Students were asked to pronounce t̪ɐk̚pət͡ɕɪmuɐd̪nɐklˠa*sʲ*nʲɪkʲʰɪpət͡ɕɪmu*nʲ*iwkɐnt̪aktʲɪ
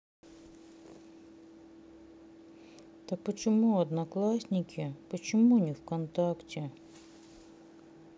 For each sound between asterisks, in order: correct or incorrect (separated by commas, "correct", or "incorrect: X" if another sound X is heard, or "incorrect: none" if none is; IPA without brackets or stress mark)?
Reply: correct, correct